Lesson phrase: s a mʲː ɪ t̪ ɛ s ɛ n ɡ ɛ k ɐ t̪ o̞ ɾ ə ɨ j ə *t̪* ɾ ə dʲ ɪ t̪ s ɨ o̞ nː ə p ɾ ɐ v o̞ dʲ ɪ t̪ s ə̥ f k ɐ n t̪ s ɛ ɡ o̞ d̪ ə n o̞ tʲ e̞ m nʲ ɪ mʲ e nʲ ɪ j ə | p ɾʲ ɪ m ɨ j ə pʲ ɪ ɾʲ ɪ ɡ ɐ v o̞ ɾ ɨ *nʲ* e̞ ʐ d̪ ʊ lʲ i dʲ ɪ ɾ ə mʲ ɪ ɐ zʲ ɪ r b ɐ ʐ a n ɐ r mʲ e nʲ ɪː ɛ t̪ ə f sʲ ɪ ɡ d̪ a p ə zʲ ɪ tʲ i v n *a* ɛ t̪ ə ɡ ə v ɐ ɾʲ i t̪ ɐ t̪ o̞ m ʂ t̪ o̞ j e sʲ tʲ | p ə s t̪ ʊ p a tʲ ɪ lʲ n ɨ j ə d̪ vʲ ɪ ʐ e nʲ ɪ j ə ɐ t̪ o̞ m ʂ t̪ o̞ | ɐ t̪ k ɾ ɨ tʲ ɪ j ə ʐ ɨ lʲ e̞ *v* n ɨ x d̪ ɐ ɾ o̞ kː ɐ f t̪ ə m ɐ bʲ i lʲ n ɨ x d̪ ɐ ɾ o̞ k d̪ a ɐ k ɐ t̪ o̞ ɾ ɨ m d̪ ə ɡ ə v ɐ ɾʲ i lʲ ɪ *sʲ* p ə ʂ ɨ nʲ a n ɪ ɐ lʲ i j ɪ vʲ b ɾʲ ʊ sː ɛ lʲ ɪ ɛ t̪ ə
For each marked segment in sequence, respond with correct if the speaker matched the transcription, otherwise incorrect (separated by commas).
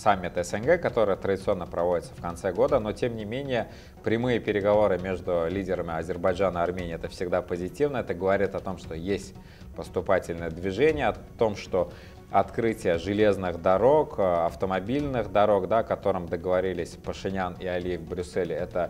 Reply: correct, incorrect, incorrect, incorrect, correct